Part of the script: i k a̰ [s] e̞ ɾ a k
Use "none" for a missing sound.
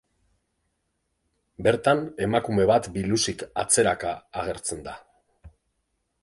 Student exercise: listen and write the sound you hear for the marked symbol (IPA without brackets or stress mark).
t͡s